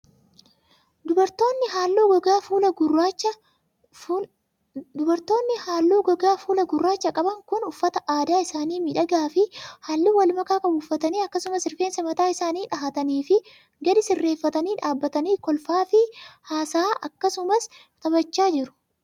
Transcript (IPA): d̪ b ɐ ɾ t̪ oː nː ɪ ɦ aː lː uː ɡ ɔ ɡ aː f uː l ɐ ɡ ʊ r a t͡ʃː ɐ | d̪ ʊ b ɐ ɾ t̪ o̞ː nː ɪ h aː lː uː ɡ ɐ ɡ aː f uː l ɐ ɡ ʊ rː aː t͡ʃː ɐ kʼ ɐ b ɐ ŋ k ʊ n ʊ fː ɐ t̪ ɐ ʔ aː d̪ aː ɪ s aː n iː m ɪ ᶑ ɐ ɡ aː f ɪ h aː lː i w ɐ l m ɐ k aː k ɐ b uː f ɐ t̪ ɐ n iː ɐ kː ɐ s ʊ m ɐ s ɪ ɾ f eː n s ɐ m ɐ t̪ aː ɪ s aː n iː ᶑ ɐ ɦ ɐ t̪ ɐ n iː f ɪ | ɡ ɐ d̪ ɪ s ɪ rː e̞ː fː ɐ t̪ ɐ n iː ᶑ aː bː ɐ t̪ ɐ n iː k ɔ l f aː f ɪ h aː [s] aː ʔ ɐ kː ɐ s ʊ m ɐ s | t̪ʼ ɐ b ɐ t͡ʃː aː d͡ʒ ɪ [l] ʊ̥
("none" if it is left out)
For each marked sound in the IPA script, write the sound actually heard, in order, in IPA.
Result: s, ɾ

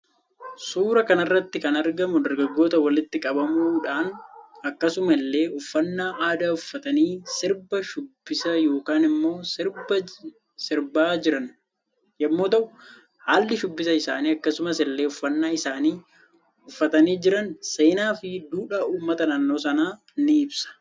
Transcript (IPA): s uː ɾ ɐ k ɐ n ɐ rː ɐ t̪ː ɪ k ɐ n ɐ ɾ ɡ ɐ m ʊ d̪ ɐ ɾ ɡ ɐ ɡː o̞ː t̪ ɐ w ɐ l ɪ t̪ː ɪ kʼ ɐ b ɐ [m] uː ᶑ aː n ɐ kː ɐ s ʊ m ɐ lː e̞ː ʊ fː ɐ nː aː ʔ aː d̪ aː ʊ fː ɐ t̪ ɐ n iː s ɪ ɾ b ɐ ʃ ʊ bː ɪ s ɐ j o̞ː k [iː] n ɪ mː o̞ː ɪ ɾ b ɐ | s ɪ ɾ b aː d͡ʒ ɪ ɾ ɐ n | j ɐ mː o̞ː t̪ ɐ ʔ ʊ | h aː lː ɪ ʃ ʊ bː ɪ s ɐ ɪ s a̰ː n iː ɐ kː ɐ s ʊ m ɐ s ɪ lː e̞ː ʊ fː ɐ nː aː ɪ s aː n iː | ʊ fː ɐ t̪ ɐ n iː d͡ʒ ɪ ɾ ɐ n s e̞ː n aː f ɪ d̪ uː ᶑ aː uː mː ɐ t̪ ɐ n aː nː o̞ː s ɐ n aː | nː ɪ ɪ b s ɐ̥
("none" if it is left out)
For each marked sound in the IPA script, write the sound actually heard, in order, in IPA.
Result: m, aː

